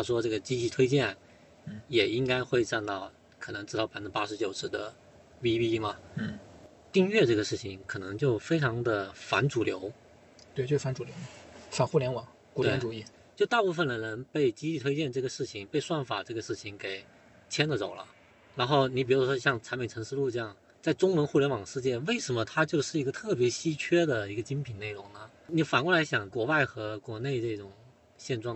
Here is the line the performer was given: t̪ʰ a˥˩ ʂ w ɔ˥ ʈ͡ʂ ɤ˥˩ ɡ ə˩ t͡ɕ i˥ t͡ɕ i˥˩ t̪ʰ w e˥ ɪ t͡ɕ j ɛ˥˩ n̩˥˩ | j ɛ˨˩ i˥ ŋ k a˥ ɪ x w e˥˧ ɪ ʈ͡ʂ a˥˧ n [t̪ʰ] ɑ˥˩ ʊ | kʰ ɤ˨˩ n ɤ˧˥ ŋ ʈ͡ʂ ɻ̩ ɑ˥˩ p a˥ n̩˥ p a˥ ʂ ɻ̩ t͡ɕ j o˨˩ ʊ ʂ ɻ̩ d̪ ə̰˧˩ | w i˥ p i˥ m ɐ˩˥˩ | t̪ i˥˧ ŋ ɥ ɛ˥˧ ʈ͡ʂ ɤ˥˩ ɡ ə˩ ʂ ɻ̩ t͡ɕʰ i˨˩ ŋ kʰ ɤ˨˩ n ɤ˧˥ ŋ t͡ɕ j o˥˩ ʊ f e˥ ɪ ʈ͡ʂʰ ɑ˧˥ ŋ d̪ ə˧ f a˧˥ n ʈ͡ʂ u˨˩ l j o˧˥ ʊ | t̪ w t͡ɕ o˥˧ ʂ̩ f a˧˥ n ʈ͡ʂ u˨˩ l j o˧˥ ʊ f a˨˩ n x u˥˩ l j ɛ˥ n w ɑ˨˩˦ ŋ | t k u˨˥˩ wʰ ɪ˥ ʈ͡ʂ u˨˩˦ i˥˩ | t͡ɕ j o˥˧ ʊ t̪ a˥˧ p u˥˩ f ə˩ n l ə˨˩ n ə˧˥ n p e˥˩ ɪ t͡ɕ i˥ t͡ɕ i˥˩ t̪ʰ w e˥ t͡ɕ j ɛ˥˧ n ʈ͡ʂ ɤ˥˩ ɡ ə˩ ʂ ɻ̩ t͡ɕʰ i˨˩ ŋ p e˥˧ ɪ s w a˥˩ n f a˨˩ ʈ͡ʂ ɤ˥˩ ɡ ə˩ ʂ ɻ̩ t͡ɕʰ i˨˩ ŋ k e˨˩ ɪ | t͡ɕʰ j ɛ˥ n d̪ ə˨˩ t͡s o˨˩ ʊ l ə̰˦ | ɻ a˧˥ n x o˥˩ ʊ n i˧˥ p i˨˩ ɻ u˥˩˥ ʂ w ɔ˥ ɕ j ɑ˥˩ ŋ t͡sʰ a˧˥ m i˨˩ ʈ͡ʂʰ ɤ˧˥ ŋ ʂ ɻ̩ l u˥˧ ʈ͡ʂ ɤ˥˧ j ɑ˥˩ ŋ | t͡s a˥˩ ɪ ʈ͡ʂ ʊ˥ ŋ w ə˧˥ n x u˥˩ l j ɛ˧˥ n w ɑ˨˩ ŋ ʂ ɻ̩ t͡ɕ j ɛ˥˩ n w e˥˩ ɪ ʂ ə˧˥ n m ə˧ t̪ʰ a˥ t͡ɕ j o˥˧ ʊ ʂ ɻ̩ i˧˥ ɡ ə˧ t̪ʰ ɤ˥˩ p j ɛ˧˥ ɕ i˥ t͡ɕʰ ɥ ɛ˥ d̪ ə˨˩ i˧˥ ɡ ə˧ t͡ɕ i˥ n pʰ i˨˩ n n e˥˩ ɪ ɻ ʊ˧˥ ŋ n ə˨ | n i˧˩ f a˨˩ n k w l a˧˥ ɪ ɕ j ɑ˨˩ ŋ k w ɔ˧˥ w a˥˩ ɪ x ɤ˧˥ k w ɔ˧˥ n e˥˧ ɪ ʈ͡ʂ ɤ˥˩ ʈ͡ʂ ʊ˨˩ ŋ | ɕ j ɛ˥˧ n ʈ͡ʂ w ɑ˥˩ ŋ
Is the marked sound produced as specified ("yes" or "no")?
no